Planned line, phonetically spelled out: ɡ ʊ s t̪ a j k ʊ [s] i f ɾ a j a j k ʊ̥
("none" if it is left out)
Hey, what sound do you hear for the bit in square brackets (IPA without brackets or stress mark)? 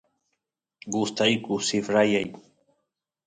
s